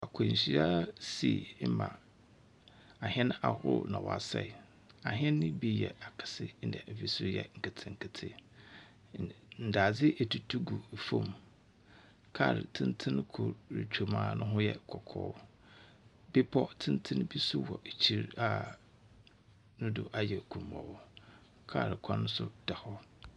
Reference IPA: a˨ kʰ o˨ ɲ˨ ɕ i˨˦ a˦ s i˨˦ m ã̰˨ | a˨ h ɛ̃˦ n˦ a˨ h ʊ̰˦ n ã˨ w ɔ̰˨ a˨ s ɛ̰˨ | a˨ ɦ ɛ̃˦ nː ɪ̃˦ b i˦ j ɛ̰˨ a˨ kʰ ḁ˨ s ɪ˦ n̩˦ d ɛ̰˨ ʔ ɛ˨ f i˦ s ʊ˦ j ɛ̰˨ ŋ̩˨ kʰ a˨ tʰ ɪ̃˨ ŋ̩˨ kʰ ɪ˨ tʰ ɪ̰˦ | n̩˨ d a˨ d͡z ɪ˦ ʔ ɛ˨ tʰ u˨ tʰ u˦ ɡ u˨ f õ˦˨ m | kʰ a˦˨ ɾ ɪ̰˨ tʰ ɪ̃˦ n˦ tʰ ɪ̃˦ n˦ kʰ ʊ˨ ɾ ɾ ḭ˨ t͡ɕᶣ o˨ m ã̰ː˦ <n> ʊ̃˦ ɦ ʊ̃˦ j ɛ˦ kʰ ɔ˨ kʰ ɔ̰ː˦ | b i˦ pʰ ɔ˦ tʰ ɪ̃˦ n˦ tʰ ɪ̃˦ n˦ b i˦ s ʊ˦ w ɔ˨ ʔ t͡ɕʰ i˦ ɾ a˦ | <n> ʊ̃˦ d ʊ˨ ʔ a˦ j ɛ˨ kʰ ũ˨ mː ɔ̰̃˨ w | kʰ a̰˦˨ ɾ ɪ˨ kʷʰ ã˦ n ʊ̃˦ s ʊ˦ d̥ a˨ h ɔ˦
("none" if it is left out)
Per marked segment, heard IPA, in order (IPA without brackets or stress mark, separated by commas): n, n